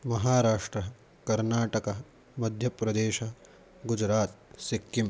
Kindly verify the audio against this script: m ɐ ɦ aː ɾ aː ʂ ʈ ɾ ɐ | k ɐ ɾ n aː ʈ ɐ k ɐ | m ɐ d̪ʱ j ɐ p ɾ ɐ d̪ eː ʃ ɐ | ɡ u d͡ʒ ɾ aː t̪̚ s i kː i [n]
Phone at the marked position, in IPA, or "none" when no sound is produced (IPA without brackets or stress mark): m